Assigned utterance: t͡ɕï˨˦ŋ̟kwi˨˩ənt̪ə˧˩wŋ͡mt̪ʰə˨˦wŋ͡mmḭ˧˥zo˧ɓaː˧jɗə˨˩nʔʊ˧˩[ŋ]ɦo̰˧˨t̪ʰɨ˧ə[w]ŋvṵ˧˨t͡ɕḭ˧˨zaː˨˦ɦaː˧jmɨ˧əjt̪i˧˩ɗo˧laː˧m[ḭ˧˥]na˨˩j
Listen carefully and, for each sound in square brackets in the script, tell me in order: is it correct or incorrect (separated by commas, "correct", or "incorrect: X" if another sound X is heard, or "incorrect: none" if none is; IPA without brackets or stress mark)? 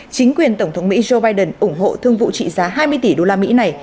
incorrect: ŋ͡m, incorrect: none, correct